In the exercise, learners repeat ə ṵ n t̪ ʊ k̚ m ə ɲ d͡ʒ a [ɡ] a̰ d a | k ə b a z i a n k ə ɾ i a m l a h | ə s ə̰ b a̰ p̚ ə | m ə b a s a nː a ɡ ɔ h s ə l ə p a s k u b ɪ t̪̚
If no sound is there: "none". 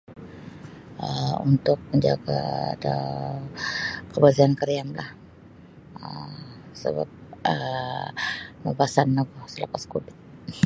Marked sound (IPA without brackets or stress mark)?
ɡ